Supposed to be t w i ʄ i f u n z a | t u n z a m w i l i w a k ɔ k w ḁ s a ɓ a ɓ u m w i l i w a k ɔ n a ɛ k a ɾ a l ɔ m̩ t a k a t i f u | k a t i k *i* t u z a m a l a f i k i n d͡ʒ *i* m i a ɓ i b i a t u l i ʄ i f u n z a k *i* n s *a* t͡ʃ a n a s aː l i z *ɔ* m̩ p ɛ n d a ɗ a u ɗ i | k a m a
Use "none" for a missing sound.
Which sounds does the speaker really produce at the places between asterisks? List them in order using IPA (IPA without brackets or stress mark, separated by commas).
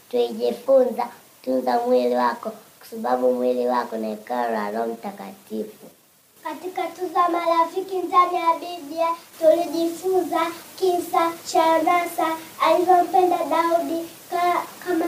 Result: a, a, i, a, ɔ